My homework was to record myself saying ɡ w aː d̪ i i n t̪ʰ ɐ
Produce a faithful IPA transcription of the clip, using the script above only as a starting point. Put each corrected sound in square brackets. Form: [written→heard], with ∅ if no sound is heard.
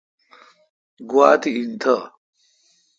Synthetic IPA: ɡ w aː [d̪→t̪] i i n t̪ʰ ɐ